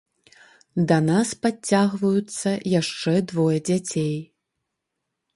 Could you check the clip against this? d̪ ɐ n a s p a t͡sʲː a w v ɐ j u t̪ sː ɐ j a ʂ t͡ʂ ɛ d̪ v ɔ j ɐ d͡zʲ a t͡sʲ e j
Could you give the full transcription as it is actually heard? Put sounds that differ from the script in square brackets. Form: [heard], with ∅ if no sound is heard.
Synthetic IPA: d̪ ɐ n a s p a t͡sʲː a [ɣ] v ɐ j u t̪ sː ɐ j a ʂ t͡ʂ ɛ d̪ v ɔ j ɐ d͡zʲ a t͡sʲ e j